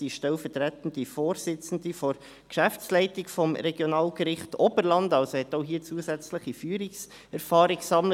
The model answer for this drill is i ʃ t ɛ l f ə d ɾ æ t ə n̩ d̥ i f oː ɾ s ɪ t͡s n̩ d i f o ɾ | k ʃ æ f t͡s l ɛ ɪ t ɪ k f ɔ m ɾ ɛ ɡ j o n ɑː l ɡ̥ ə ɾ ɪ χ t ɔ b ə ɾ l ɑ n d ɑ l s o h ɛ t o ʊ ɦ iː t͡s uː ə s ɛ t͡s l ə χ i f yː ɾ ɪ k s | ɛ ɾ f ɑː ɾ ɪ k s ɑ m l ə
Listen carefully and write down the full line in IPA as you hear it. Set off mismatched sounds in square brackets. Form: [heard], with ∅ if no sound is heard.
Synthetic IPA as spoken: i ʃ t ɛ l f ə [t] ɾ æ t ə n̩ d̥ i f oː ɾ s ɪ t͡s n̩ d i f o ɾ | k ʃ æ f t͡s l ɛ ɪ t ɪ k f ɔ m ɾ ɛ ɡ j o n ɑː l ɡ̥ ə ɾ ɪ χ t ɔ b ə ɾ l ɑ n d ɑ l s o h ɛ t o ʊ ɦ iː t͡s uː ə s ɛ t͡s l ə χ i f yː ɾ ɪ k s | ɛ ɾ f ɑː ɾ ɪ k s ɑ m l ə